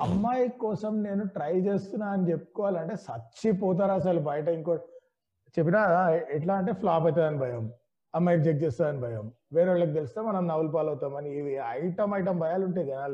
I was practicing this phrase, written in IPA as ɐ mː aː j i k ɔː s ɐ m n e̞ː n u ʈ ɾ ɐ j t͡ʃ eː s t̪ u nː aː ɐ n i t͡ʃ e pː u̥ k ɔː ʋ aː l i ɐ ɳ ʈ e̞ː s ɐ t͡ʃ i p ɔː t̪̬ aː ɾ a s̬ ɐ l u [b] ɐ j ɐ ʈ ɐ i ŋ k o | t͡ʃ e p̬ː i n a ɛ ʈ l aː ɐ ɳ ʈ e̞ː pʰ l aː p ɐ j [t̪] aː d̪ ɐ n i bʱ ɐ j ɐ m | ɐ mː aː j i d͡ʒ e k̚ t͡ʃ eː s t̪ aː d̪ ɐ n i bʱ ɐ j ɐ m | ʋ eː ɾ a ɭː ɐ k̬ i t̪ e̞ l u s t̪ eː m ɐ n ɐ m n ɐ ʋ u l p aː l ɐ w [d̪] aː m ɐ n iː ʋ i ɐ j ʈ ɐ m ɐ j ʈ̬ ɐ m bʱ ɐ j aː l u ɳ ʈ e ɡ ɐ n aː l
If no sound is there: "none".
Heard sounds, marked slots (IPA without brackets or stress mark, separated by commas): b, t̪, t̪